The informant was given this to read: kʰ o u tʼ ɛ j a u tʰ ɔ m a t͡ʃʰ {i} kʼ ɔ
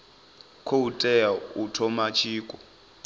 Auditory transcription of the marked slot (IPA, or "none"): iː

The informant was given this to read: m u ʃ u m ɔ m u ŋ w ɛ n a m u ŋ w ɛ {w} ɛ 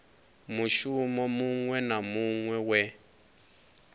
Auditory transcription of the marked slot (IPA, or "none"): w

